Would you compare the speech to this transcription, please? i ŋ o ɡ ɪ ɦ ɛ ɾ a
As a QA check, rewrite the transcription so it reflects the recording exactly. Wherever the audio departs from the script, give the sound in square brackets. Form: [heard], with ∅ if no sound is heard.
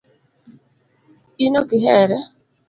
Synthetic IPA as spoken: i [n] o [k] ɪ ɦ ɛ ɾ [ɛ]